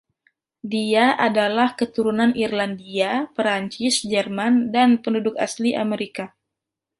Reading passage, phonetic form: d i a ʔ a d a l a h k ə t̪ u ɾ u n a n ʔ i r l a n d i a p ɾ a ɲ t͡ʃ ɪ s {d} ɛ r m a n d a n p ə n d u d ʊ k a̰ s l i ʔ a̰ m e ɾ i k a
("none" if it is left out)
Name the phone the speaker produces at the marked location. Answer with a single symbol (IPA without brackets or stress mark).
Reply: d͡ʒ